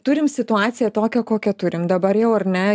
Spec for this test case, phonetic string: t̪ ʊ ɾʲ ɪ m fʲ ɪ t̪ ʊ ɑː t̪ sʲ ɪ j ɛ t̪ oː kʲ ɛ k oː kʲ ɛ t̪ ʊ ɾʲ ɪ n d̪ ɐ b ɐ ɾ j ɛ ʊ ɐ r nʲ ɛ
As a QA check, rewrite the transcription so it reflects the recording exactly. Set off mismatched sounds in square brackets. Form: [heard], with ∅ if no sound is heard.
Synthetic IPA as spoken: t̪ ʊ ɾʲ ɪ m [sʲ] ɪ t̪ ʊ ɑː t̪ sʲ ɪ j ɛ t̪ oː kʲ ɛ k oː kʲ ɛ t̪ ʊ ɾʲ ɪ [m] d̪ ɐ b ɐ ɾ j ɛ ʊ ɐ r nʲ ɛ